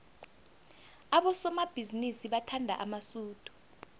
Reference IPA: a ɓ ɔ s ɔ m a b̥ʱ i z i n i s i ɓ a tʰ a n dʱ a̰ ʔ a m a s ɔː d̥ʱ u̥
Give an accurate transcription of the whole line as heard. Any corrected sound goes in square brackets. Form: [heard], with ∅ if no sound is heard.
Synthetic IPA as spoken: a ɓ ɔ s ɔ m a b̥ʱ i z i n i s i ɓ a tʰ a n dʱ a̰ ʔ a m a s [uː] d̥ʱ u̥